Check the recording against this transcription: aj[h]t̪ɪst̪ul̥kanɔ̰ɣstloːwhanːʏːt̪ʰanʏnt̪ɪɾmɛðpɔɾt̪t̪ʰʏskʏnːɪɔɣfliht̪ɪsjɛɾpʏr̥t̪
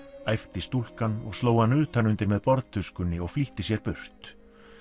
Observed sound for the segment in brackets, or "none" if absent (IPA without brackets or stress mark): f